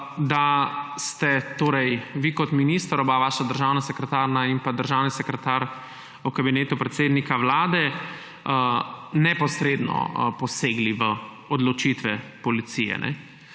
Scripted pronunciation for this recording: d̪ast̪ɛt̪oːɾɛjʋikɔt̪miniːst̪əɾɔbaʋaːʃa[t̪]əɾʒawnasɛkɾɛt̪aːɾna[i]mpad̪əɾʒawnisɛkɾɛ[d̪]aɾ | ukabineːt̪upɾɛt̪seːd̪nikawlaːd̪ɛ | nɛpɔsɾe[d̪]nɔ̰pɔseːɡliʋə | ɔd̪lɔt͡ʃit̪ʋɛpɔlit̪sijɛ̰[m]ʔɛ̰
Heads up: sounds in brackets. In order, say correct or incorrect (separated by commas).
incorrect, correct, incorrect, correct, incorrect